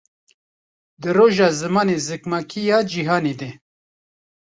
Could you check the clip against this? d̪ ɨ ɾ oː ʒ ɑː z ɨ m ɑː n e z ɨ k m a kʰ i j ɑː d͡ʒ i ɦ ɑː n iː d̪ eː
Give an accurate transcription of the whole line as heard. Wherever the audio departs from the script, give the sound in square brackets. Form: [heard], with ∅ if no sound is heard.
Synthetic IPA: d̪ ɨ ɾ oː ʒ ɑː z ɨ m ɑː n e z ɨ k m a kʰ i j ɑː d͡ʒ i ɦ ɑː n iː d̪ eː